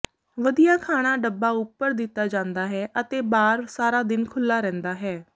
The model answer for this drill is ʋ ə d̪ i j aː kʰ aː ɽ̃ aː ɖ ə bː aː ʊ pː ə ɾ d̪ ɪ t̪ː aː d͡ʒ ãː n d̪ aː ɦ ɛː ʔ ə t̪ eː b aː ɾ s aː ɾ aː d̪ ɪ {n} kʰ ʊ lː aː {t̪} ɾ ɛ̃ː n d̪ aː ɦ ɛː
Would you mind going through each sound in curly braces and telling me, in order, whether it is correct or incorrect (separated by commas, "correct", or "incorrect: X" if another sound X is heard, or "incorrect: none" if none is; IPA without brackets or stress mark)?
correct, incorrect: none